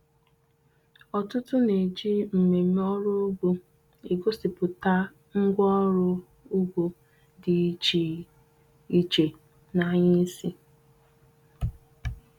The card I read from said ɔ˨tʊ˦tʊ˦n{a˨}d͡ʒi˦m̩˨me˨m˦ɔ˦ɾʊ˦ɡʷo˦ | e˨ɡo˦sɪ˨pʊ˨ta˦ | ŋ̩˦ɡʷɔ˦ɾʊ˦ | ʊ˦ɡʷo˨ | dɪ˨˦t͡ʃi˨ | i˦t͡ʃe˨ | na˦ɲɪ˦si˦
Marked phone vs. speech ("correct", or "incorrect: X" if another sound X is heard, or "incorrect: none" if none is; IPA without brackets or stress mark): incorrect: e˨